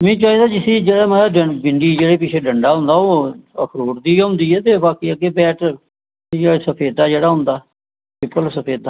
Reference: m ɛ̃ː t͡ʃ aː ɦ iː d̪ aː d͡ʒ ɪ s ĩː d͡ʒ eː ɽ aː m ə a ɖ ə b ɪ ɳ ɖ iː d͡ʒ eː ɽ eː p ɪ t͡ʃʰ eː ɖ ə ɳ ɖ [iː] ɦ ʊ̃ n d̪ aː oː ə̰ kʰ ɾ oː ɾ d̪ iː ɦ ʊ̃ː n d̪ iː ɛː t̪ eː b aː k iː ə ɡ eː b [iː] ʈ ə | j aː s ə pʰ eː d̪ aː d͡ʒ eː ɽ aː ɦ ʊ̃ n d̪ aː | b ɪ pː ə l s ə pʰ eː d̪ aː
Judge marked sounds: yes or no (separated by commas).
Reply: no, no